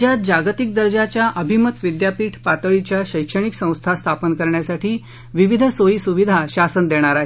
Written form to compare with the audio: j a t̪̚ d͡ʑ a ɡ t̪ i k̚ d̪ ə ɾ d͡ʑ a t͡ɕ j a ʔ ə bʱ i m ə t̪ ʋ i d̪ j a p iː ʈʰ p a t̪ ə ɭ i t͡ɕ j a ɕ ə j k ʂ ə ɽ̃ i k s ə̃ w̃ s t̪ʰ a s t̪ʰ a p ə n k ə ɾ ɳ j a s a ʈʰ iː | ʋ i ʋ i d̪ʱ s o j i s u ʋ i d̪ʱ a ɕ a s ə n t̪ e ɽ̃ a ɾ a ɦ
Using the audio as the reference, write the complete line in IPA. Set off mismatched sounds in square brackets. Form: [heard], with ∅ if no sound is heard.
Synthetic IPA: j a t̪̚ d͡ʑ a ɡ t̪ i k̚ d̪ ə ɾ d͡ʑ a t͡ɕ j a ʔ ə bʱ i m ə t̪ ʋ i d̪ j a p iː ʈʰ p a t̪ ə ɭ i t͡ɕ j a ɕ ə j k ʂ ə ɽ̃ i k s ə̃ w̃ s t̪ʰ a s t̪ʰ a p ə n k ə ɾ ɳ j a s a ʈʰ iː | ʋ i ʋ i d̪ʱ s o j i s u ʋ i d̪ʱ a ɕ a s ə n [d̪] e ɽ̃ a ɾ a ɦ